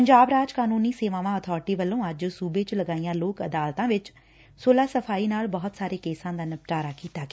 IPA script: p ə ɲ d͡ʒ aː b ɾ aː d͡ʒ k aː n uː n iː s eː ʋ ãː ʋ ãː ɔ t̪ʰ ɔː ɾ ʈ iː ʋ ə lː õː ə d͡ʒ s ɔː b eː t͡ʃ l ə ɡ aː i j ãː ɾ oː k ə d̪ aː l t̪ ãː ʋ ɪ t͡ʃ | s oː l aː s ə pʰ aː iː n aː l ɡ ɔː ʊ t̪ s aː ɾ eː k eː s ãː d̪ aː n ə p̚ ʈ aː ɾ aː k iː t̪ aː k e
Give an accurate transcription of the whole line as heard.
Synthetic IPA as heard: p ə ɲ d͡ʒ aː b ɾ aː d͡ʒ k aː n uː n iː s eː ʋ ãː ʋ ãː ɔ t̪ʰ ɔː ɾ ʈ iː ʋ ə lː õː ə d͡ʒ s uː b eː t͡ʃ l ə ɡ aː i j ãː l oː k ə d̪ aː l t̪ ãː ʋ ɪ t͡ʃ | s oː l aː s ə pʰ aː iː n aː l b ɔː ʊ t̪ s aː ɾ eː k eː s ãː d̪ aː n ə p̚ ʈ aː ɾ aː k iː t̪ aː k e

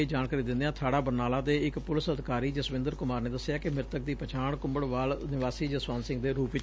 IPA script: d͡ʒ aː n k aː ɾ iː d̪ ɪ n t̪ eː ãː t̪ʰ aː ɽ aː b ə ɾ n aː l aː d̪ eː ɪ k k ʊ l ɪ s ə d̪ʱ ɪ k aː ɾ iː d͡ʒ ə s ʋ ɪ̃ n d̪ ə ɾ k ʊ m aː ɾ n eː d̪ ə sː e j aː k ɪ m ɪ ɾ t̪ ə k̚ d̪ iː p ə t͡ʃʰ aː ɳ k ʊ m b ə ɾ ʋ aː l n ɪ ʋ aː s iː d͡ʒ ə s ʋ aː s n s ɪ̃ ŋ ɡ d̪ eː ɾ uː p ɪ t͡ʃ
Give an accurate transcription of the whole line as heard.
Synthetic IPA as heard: d͡ʒ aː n k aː ɾ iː d̪ ɪ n d̪ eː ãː t̪ʰ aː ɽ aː b ə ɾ n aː l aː d̪ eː ɪ k p ʊ l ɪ s ə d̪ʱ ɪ k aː ɾ iː d͡ʒ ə s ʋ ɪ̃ n d̪ ə ɾ k ʊ m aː ɾ n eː d̪ ə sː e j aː k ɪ m ɪ ɾ t̪ ə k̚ d̪ iː p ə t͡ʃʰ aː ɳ k ʊ m b ə ɽ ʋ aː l n ɪ ʋ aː s iː d͡ʒ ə s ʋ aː n s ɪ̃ ŋ ɡ d̪ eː ɾ uː p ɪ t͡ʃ

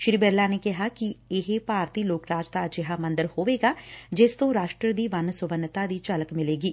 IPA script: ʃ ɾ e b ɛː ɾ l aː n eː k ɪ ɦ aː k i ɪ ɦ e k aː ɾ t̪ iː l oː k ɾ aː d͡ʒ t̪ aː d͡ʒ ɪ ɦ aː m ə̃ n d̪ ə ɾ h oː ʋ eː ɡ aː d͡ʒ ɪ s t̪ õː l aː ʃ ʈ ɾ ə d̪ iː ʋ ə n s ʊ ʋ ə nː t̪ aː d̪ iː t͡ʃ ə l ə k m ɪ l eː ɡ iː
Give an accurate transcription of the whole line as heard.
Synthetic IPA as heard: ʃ ɾ i b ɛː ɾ l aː n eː k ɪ ɦ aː k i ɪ ɦ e p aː ɾ t̪ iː l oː k ɾ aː d͡ʒ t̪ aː d͡ʒ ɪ ɦ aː m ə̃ n d̪ ə ɾ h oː ʋ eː ɡ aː d͡ʒ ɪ s t̪ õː ɾ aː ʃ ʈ ɾ ə d̪ iː ʋ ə n s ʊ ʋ ə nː t̪ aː d̪ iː t͡ʃ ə l ə k m ɪ l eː ɡ iː

